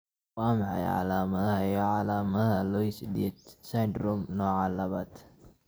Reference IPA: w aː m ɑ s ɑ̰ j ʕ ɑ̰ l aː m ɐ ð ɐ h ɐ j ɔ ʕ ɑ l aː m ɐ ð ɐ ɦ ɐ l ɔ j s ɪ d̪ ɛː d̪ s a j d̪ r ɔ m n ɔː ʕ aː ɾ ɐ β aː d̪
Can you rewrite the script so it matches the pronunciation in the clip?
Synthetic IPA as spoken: w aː m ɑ ħ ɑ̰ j ʕ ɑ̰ l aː m ɐ ð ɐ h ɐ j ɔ ʕ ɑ l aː m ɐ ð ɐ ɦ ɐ l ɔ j s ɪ d̪ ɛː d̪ s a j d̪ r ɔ m n ɔː ʕ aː l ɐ β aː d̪